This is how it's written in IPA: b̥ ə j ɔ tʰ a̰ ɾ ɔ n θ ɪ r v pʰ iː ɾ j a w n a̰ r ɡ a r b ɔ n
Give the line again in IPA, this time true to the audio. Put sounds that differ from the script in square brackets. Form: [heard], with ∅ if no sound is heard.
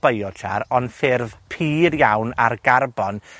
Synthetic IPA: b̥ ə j ɔ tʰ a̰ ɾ ɔ n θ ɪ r v pʰ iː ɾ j a w n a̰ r ɡ a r b ɔ n